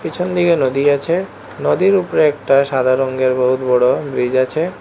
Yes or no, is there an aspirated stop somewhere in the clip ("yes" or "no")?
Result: yes